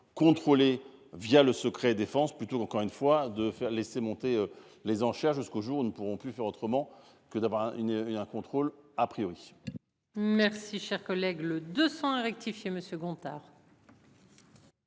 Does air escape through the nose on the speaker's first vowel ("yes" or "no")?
yes